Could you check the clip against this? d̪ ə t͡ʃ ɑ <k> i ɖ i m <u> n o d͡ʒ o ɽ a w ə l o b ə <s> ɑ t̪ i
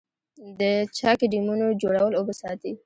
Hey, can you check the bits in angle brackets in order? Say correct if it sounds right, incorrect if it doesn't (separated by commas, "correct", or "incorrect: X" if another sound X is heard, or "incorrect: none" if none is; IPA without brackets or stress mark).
correct, correct, correct